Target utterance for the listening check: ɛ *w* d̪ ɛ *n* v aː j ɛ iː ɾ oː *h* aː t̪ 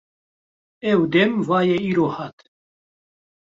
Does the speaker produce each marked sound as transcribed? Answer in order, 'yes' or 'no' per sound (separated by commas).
yes, no, yes